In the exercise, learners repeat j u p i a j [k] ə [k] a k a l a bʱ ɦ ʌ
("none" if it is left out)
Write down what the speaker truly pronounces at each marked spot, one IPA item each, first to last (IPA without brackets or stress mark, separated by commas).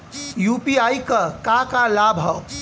k, k